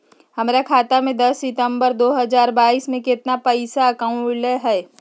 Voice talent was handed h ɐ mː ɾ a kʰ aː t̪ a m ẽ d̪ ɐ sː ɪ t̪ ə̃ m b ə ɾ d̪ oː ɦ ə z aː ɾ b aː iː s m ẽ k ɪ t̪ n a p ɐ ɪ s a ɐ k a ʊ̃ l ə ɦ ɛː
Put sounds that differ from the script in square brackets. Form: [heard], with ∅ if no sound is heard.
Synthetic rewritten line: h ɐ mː ɾ a kʰ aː t̪ a m ẽ d̪ ɐ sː ɪ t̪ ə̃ m b ə ɾ d̪ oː ɦ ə z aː ɾ b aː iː s m ẽ k ɪ t̪ n a p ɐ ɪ s a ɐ k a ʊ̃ l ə ɦ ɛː